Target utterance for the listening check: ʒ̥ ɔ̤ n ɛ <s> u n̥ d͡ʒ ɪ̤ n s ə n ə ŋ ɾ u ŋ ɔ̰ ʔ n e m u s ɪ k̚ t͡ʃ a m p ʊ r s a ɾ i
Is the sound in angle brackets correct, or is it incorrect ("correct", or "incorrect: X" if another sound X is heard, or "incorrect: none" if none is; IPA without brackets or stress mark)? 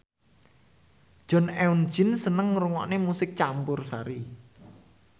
incorrect: none